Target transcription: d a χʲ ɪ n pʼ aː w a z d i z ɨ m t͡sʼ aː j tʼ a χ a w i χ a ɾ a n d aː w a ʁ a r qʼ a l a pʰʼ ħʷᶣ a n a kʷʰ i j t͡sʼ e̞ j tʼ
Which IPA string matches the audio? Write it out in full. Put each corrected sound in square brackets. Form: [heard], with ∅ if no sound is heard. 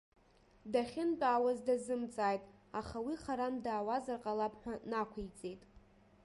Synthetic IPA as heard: d a χʲ ɪ n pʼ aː w a z d [a] z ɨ m t͡sʼ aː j tʼ a χ a w i χ a ɾ a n d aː w a [z] a r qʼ a l a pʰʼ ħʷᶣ a n a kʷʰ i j t͡sʼ e̞ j tʼ